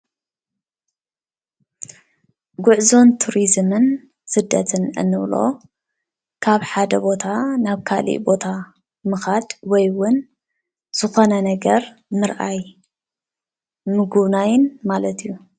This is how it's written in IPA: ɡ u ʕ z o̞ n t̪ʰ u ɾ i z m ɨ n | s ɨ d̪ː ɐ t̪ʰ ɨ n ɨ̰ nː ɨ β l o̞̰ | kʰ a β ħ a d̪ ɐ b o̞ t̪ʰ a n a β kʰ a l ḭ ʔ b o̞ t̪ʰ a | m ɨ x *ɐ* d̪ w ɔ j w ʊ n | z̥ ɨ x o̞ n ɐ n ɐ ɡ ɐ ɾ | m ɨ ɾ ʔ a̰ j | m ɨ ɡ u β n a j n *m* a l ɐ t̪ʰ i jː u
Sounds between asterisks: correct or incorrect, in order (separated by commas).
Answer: incorrect, correct